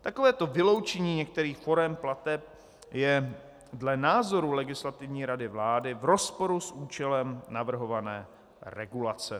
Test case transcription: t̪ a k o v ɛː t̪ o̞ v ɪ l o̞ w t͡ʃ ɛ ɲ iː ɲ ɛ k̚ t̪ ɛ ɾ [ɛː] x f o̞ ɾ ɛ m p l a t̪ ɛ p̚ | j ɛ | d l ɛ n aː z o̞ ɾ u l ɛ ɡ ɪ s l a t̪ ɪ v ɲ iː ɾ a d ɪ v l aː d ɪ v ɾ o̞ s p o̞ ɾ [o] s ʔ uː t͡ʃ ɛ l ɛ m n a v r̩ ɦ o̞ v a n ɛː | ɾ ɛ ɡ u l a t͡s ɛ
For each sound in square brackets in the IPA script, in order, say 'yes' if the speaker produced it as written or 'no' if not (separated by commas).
no, no